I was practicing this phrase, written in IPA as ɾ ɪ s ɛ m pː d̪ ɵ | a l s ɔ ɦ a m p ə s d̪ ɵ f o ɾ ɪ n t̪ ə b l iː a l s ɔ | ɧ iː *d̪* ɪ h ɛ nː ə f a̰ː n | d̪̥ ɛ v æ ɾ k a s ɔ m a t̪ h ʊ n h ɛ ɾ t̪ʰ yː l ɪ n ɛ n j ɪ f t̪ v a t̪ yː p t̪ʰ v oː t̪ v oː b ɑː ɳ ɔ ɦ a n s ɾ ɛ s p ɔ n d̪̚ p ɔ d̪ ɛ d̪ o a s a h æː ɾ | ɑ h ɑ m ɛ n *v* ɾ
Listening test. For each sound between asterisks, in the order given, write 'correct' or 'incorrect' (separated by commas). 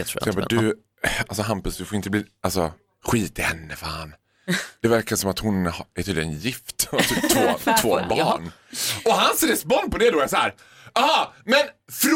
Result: incorrect, incorrect